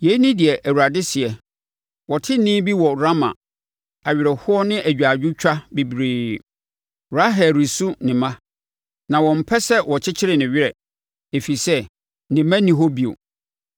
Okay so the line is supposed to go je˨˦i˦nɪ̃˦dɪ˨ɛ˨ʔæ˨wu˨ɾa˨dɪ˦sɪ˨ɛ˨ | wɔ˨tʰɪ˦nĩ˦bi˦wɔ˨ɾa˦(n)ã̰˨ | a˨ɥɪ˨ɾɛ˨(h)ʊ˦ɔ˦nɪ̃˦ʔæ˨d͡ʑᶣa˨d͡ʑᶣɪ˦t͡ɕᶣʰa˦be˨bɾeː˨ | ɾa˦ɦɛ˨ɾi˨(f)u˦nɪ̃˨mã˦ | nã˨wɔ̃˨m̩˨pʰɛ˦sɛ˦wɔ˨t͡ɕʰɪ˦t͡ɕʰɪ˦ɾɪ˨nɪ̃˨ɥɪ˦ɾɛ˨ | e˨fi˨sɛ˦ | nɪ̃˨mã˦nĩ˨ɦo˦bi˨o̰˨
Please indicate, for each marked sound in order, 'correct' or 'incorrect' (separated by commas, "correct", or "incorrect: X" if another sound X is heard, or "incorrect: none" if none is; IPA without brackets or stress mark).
incorrect: m, correct, incorrect: s